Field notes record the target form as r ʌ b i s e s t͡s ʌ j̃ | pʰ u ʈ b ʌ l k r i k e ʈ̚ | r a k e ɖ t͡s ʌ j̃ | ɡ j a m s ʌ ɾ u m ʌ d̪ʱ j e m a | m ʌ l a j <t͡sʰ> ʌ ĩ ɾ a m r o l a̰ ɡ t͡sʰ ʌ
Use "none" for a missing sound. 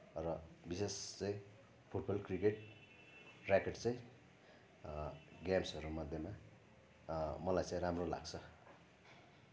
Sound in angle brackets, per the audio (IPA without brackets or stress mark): t͡s